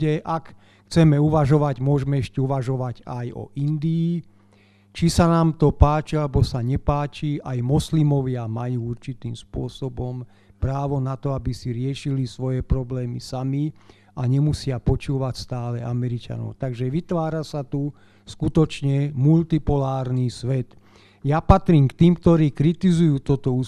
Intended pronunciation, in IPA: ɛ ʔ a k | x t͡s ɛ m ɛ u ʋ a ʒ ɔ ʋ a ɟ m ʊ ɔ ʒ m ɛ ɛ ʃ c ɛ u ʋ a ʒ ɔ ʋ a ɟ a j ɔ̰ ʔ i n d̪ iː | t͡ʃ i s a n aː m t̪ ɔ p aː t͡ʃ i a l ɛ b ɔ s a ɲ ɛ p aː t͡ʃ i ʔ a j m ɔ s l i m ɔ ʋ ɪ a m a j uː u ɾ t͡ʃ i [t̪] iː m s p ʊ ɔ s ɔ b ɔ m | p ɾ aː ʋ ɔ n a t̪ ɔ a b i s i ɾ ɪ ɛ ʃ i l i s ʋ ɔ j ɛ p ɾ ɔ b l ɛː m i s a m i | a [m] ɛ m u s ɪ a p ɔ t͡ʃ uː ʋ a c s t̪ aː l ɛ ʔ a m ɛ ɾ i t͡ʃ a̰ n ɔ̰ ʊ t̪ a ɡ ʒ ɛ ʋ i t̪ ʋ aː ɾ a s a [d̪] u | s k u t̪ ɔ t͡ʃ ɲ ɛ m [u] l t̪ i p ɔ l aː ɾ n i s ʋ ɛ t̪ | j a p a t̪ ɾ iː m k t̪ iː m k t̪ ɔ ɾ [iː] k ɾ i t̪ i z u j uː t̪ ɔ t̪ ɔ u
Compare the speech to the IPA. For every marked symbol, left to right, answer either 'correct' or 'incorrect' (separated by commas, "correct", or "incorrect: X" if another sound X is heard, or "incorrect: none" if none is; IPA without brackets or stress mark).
correct, incorrect: ɲ, incorrect: t̪, correct, correct